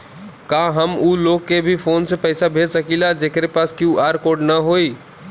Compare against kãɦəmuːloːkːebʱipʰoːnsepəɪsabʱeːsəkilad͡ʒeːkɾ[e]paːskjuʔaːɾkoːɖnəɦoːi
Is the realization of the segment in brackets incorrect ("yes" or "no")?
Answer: no